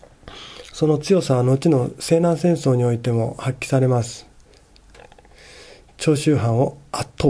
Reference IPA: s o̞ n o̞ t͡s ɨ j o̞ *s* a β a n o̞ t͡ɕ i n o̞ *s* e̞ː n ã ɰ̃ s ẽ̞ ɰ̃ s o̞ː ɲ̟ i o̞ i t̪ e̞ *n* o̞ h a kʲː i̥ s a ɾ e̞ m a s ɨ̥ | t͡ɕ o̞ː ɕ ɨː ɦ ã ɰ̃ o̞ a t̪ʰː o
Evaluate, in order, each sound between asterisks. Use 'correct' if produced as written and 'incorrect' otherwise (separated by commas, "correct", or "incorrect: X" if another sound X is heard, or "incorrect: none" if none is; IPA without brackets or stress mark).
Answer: correct, correct, incorrect: m